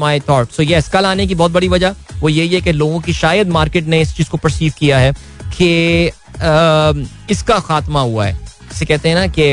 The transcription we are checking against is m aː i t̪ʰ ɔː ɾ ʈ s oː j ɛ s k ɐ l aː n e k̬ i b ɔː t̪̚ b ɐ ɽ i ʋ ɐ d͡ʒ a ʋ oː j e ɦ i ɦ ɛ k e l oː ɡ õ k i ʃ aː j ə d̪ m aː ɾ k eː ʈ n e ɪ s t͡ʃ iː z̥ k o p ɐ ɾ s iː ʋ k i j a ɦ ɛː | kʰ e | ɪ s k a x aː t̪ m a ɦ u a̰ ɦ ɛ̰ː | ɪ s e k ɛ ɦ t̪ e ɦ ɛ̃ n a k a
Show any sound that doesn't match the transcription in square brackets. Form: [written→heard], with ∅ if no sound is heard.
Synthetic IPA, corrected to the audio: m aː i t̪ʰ ɔː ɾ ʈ s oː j ɛ s k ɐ l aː n e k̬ i b ɔː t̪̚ b ɐ ɽ i ʋ ɐ d͡ʒ a ʋ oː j e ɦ i ɦ ɛ k e l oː ɡ õ k i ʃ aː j ə d̪ m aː ɾ k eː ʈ n e ɪ s t͡ʃ iː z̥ k o p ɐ ɾ s iː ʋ k i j a ɦ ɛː | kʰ e | ɪ s k a x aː t̪ m a ɦ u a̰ ɦ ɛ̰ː | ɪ s e k ɛ ɦ t̪ e ɦ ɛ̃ n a k [a→e]